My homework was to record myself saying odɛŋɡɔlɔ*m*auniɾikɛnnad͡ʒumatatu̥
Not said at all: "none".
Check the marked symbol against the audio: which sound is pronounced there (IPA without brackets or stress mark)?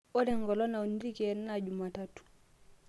n